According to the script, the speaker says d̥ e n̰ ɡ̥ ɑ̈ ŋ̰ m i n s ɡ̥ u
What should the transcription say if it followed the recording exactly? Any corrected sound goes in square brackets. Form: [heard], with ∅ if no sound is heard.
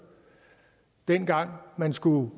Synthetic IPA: d̥ e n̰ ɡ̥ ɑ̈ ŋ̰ m [æ] n s ɡ̥ u